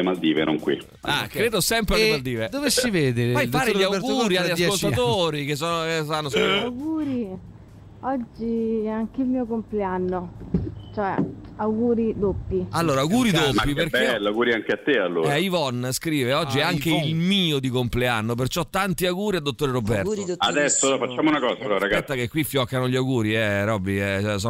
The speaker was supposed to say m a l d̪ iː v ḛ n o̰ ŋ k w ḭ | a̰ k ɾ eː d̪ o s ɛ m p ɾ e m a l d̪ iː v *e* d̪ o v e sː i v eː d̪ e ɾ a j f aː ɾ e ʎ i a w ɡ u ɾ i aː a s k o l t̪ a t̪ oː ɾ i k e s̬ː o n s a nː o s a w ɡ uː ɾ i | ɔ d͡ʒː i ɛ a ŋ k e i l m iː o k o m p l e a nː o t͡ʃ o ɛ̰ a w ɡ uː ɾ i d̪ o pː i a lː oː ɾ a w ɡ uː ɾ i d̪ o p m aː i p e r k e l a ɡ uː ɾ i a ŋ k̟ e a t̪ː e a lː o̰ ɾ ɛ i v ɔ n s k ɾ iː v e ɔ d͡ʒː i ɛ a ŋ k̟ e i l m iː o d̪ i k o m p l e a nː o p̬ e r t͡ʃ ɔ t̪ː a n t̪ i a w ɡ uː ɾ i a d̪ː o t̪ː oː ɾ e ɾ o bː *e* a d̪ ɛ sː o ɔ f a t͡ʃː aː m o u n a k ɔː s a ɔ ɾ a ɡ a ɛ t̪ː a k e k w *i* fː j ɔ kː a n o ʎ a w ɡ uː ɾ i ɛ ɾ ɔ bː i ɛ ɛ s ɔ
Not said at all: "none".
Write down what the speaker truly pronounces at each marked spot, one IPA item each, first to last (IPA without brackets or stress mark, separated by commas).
e, ɛ, i